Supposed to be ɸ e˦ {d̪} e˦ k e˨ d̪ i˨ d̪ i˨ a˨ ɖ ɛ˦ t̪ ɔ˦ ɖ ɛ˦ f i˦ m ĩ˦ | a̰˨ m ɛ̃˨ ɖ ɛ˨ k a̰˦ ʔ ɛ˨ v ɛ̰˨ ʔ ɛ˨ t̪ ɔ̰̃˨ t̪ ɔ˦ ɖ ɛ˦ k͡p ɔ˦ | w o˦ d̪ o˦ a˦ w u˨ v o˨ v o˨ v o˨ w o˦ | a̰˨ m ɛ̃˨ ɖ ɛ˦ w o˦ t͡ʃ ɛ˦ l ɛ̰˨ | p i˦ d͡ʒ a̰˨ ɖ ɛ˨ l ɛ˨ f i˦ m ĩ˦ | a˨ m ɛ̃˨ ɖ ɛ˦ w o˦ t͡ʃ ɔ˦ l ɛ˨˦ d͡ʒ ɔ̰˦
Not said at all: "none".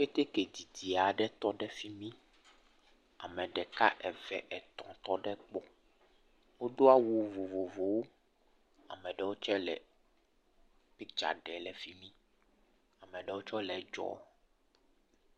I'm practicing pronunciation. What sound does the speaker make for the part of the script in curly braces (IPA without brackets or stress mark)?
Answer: t̪